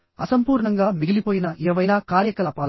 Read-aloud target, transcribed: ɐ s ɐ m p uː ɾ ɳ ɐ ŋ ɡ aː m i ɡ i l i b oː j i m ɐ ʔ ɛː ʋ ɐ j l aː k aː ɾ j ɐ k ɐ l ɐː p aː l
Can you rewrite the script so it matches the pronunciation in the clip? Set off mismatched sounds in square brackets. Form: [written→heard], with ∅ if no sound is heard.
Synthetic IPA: ɐ s ɐ m p uː ɾ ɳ ɐ ŋ ɡ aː m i ɡ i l i [b→p] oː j i [m→n] ɐ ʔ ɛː ʋ ɐ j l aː k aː ɾ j ɐ k ɐ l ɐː p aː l